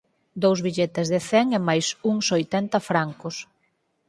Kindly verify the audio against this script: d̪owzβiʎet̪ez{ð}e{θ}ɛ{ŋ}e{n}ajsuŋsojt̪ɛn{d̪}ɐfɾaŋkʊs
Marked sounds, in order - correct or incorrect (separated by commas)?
correct, correct, correct, incorrect, incorrect